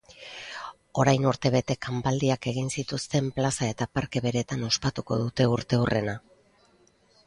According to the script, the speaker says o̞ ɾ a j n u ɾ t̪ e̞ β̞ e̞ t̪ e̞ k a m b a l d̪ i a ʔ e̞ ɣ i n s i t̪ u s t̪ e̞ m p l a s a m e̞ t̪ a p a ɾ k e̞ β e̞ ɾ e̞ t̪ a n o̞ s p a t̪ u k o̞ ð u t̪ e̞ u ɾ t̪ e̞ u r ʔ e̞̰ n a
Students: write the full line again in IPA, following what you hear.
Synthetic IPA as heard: o̞ ɾ a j n u ɾ t̪ e̞ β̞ e̞ t̪ e̞ k a m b a l d̪ i a k e̞ ɣ i n s i t̪ u s t̪ e̞ m p l a s a e̞ t̪ a p a ɾ k e̞ β e̞ ɾ e̞ t̪ a n o̞ s p a t̪ u k o̞ ð u t̪ e̞ u ɾ t̪ e̞ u r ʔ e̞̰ n a